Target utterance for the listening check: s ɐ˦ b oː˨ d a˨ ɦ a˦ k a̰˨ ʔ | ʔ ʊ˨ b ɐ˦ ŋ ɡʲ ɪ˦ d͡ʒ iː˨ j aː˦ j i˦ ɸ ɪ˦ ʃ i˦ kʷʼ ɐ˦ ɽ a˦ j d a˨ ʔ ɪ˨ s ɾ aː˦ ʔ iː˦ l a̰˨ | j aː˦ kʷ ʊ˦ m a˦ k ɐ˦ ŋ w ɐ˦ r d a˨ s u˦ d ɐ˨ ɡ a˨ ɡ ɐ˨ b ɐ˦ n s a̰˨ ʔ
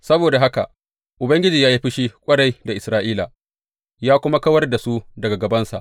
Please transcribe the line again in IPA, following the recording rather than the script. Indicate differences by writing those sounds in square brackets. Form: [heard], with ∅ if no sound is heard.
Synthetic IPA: s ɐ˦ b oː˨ d a˨ ɦ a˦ k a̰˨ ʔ | ʔ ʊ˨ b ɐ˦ ŋ ɡʲ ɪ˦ d͡ʒ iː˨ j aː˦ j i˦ ɸ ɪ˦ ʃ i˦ kʷʼ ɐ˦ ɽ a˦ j d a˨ ʔ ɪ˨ s ɾ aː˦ ʔ iː˦ l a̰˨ | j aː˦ kʷ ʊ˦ m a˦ k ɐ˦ [∅] w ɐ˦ r d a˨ s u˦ d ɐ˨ ɡ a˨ ɡ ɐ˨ b ɐ˦ n s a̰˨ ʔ